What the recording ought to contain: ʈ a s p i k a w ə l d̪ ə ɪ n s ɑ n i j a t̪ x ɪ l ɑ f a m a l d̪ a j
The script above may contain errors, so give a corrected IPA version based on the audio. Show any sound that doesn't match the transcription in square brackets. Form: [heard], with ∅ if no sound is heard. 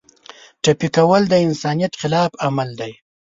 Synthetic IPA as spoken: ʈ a [∅] p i k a w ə l d̪ ə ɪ n s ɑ n i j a t̪ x ɪ l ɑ f a m a l d̪ a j